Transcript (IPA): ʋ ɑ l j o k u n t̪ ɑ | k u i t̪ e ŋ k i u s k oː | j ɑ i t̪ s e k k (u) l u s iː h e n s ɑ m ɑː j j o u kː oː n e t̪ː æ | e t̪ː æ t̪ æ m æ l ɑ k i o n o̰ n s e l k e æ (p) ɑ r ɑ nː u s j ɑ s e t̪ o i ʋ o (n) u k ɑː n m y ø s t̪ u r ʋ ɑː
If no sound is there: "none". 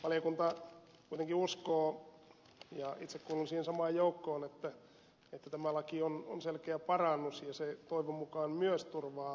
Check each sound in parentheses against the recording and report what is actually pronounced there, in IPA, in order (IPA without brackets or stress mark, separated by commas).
uː, p, m